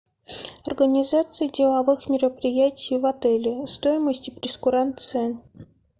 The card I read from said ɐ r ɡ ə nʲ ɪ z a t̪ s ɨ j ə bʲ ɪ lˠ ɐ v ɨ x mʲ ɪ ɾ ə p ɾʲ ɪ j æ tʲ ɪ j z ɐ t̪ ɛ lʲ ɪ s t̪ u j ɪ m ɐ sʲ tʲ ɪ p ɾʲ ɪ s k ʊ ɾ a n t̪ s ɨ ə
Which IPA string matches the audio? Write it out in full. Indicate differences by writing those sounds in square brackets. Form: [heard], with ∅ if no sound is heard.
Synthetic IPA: ɐ r ɡ ə nʲ ɪ z a t̪ s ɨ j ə [dʲ] ɪ lˠ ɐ v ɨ x mʲ ɪ ɾ ə p ɾʲ ɪ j æ tʲ ɪ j [v] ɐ t̪ ɛ lʲ ɪ s t̪ [o] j ɪ m [ə] sʲ tʲ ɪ p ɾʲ ɪ s k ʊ ɾ a n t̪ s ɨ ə